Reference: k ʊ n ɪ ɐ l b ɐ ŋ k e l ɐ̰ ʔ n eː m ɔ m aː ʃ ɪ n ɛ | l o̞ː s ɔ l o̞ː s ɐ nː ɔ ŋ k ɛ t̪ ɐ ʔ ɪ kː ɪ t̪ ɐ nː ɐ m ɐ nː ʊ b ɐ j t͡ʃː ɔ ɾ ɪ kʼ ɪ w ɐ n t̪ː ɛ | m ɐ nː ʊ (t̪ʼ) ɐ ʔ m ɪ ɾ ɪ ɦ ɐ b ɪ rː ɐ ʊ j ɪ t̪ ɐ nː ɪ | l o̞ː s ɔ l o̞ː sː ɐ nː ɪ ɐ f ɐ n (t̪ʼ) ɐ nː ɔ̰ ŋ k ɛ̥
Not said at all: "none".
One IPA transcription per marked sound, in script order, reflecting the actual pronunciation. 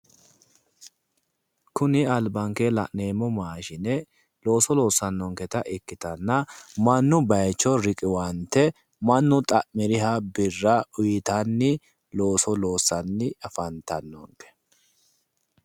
t̪ʼ, t̪

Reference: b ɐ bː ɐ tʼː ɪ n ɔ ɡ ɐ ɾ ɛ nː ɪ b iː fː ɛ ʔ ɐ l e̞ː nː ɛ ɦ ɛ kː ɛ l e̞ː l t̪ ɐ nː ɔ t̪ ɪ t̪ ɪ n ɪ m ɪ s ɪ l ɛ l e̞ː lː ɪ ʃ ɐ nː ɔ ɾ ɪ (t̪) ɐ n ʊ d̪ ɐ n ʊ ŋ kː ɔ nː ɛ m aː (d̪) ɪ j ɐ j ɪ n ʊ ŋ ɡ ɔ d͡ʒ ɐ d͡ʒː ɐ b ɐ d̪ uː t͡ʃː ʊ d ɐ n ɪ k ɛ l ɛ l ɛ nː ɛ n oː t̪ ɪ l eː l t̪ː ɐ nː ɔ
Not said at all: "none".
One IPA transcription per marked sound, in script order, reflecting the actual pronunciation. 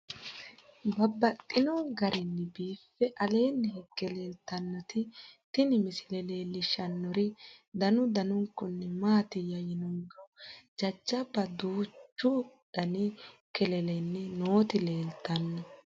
d̪, t̪

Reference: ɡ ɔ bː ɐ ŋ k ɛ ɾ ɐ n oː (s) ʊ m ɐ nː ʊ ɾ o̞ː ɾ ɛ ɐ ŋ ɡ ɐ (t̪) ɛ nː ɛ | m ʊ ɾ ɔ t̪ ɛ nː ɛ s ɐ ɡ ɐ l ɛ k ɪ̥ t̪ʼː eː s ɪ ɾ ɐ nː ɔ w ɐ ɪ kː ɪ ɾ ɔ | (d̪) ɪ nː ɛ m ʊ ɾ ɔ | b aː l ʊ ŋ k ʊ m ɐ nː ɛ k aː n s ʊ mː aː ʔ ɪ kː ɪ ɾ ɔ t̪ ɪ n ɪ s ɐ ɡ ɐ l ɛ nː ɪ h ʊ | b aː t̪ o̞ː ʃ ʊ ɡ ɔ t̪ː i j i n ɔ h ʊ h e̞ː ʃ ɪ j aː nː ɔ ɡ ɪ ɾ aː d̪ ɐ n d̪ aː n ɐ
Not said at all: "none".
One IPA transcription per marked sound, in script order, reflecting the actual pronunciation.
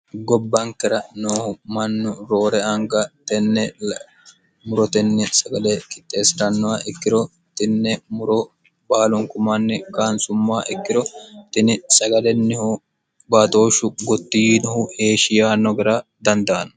h, t̪, t̪

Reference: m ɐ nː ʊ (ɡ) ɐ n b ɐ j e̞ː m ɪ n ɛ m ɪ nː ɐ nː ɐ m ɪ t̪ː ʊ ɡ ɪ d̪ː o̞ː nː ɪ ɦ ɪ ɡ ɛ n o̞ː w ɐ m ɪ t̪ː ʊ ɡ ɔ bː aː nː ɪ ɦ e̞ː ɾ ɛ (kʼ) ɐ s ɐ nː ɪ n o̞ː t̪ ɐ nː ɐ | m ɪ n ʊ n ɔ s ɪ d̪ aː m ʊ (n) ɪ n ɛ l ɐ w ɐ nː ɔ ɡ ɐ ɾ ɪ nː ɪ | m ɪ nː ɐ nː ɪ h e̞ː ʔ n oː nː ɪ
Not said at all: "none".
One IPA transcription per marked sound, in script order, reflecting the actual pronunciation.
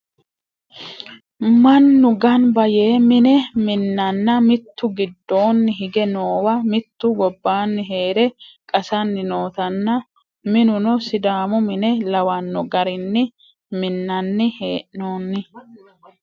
ɡ, kʼ, m

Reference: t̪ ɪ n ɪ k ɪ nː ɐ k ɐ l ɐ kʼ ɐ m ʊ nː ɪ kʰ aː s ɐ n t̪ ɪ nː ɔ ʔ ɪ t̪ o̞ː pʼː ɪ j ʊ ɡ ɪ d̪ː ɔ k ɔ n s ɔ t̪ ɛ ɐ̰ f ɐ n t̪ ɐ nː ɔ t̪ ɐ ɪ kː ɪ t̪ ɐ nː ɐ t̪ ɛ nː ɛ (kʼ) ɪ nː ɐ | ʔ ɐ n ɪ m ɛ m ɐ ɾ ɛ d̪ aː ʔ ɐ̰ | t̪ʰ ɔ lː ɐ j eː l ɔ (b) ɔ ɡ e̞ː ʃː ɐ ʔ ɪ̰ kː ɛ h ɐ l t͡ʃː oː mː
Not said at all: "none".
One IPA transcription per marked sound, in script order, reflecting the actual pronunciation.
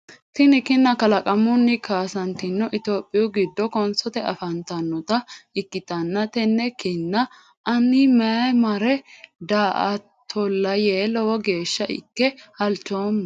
k, w

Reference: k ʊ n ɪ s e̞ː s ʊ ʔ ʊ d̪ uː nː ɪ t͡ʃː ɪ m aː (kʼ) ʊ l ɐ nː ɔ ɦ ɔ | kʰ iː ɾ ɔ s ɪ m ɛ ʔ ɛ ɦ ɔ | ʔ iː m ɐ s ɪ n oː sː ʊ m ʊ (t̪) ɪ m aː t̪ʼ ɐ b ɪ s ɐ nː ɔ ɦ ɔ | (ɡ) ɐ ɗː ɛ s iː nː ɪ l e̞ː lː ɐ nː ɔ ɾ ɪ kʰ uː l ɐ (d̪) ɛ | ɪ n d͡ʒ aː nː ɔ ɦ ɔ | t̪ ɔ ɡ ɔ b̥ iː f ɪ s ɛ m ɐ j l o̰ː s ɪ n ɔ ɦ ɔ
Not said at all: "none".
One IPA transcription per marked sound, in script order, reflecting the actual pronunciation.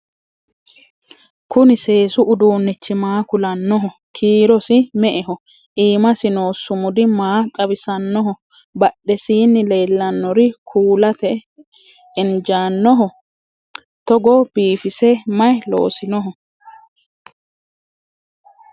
k, d̪, b, t̪

